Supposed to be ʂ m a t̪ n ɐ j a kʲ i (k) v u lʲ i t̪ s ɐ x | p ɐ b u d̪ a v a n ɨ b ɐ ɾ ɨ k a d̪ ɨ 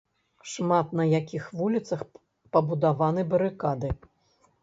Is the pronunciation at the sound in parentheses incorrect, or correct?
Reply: incorrect